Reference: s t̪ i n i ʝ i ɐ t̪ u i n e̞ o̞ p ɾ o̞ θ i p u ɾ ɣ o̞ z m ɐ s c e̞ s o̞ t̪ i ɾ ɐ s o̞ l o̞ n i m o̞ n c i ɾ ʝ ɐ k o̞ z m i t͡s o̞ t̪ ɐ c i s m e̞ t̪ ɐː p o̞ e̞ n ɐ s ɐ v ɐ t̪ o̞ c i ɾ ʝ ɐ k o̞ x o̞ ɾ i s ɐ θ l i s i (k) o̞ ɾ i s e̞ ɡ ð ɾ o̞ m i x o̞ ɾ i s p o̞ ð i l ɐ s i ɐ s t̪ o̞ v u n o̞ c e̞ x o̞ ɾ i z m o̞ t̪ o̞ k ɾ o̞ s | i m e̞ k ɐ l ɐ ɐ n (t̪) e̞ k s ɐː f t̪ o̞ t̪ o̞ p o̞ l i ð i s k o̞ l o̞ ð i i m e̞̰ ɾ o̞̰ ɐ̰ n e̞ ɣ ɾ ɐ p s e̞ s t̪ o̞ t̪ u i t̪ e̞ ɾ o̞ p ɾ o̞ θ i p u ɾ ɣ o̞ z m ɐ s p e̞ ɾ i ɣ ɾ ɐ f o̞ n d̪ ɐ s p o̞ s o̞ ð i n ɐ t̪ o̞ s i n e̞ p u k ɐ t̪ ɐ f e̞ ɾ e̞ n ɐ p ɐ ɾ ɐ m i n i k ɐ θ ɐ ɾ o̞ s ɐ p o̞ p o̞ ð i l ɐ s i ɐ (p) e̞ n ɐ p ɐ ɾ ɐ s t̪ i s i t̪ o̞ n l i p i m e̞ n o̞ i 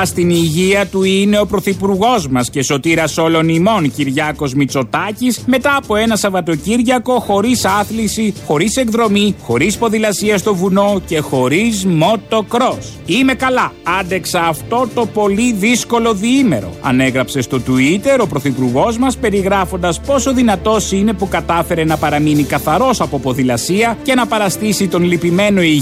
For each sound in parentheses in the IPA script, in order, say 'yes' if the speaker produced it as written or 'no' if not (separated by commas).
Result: no, no, no